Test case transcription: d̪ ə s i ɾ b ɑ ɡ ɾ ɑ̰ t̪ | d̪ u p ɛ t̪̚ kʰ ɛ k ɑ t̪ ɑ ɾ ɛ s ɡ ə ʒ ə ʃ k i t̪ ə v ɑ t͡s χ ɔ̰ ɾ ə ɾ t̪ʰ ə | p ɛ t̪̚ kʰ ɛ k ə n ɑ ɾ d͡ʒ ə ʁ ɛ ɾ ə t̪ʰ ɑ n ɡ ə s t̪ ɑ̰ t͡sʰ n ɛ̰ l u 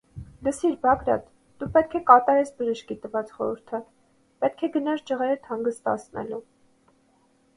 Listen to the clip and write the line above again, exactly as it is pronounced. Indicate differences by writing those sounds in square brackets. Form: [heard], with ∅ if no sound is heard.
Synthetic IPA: d̪ ə s i ɾ b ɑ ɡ ɾ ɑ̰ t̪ | d̪ u p ɛ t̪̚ kʰ ɛ k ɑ t̪ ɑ ɾ ɛ s [b] ə ʒ ə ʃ k i t̪ ə v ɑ t͡s χ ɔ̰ ɾ ə ɾ t̪ʰ ə | p ɛ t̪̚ kʰ ɛ [ɡ] ə n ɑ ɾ d͡ʒ ə ʁ ɛ ɾ ə t̪ʰ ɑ [ŋ] ɡ ə s t̪ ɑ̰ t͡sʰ n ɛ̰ l u